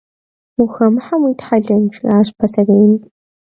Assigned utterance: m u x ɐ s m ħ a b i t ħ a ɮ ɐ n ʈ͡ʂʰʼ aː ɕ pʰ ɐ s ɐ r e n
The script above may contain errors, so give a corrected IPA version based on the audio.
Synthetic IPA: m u x ɐ m ħ a m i t ħ a ɮ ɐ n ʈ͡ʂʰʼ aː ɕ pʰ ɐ s ɐ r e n

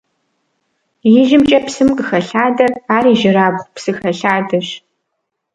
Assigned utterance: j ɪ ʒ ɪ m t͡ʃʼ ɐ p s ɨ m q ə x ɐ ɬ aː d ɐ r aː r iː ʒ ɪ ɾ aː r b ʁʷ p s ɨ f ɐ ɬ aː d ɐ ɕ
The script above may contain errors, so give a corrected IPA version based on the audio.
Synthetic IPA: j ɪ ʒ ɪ m t͡ʃʼ ɐ p s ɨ m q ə x ɐ ɬ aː d ɐ r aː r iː ʒ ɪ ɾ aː b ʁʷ p s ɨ x ɐ ɬ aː d ɐ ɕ

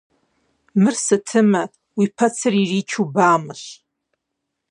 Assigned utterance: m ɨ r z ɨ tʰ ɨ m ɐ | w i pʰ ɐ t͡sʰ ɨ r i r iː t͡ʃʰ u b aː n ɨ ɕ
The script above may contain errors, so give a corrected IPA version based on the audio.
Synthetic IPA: m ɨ r s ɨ tʰ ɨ m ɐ | w i pʰ ɐ t͡sʰ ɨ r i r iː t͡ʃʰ u b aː m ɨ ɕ

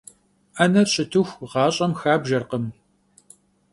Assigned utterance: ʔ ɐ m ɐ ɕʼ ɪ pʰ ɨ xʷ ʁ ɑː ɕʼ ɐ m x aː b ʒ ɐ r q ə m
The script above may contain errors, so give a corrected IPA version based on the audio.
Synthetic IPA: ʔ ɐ n ɐ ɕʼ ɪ tʰ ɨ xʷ ʁ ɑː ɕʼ ɐ m x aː b ʒ ɐ r q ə m

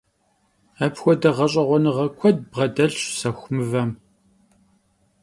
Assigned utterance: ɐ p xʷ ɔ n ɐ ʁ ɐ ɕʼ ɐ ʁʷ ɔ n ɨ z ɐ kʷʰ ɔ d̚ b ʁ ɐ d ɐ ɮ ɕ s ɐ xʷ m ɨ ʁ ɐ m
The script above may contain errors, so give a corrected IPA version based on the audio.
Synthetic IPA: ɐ p xʷ ɔ d ɐ ʁ ɐ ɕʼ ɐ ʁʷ ɔ n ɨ ʁ ɐ kʷʰ ɔ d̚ b ʁ ɐ d ɐ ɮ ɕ s ɐ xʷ m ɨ v ɐ m

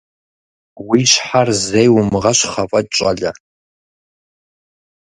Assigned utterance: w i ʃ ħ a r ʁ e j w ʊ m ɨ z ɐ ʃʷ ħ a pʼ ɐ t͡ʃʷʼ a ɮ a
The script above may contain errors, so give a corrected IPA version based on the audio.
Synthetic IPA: w i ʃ ħ a r z e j w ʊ m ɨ ʁ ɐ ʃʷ χ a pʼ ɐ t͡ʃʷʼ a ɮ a

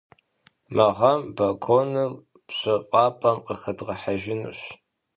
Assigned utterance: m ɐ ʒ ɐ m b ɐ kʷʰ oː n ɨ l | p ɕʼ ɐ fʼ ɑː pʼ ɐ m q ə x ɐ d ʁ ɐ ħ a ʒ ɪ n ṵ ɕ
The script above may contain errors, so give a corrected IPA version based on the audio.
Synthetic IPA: m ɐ ʁ ɐ m b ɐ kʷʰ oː n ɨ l | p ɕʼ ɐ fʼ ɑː pʼ ɐ m q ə x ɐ d ʁ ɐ ħ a ʒ ɪ n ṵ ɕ

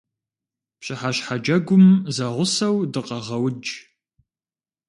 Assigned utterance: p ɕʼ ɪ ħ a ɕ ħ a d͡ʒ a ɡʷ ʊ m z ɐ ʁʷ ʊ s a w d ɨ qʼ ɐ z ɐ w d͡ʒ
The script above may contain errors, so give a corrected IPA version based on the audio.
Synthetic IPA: p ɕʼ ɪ ħ a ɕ ħ a d͡ʒ ɐ ɡʷ ʊ m z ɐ ʁʷ ʊ s ɐ w d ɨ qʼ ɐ ʁ ɐ w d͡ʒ

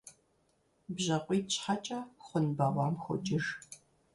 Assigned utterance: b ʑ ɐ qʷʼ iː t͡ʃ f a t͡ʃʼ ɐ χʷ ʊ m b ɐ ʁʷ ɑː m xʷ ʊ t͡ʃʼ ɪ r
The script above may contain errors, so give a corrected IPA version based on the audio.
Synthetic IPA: b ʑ ɐ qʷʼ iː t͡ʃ ħ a t͡ʃʼ ɐ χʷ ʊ n b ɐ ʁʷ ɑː m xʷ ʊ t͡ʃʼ ɪ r

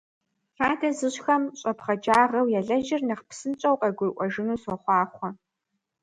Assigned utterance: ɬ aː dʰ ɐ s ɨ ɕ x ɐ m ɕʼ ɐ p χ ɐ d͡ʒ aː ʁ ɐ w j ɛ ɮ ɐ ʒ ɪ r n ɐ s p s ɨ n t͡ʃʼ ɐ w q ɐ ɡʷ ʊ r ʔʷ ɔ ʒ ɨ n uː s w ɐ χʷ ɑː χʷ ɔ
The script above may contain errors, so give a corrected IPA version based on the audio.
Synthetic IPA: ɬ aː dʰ ɐ z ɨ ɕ x ɐ m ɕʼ ɐ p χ ɐ d͡ʒ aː ʁ ɐ w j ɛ ɮ ɐ ʒ ɪ r n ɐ χ p s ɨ n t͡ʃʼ ɐ w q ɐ ɡʷ ʊ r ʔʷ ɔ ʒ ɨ n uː s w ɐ χʷ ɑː χʷ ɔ

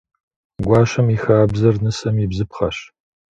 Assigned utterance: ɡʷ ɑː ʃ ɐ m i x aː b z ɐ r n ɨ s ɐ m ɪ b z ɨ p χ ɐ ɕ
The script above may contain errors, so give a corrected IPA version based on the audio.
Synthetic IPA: ɡʷ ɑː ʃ ɐ m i x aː b z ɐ r n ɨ s ɐ m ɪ b z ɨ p χ ɐ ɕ

